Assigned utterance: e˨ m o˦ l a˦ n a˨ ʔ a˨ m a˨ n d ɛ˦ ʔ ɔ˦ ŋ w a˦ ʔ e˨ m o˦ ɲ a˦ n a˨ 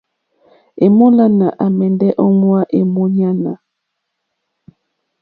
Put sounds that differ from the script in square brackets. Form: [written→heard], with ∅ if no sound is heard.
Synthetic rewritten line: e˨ m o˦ l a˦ n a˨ ʔ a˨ m [a˨→ɛ˨] n d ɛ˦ ʔ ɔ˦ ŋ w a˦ ʔ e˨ m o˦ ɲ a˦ n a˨